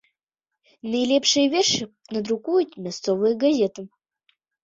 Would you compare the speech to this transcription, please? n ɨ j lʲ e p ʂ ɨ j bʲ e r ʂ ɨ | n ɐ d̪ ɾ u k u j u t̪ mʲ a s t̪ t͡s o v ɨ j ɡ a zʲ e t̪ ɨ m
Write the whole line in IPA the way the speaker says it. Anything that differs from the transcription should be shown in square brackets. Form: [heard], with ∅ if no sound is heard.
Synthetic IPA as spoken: n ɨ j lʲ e p ʂ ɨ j [vʲ] e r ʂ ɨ | n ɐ d̪ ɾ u k u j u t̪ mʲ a s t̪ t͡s o v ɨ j ɡ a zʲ e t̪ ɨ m